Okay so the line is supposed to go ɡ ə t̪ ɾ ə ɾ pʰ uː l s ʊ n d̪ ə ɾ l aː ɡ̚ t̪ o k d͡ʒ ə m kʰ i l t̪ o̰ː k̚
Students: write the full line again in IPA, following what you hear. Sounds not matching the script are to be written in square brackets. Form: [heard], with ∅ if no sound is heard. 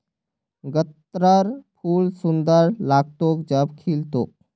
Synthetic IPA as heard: ɡ ə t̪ ɾ ə ɾ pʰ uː l s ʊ n d̪ ə ɾ l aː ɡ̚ t̪ o k d͡ʒ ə [b] kʰ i l t̪ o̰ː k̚